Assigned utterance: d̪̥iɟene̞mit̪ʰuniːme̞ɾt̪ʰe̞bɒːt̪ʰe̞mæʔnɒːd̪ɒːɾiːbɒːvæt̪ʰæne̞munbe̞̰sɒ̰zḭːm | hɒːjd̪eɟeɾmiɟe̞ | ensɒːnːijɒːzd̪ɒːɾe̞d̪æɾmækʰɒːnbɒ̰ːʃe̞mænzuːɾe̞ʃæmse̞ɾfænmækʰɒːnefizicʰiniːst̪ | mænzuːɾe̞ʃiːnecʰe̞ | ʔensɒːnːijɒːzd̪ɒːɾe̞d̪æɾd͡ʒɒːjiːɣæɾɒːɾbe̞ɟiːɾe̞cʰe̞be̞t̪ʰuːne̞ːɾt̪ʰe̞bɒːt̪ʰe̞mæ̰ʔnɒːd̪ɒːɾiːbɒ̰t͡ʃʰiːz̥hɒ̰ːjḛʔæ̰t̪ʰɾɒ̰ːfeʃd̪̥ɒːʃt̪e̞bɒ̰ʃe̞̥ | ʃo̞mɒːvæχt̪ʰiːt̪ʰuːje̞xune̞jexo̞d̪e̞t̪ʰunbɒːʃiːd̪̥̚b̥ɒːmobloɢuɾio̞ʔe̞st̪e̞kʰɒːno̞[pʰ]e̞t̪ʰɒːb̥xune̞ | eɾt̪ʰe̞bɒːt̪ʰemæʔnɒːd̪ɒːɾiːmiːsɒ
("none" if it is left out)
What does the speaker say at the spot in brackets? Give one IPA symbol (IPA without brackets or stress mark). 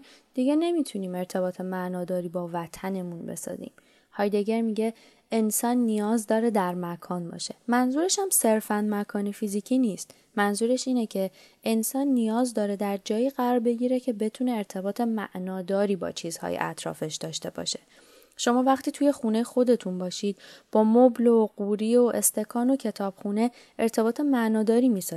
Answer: cʰ